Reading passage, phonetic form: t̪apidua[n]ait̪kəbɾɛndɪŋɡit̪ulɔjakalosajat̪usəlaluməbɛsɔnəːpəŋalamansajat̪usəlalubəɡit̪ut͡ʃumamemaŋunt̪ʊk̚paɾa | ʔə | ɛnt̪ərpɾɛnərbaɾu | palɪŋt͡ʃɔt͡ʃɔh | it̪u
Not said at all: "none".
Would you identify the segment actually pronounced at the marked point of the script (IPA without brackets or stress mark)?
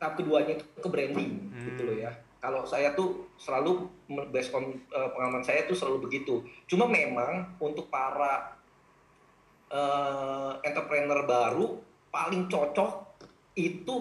ɲ